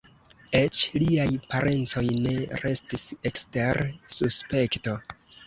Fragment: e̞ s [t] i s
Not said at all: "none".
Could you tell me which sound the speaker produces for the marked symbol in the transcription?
t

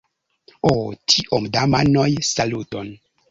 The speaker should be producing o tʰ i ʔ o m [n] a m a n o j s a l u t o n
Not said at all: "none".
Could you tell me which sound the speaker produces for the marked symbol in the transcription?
d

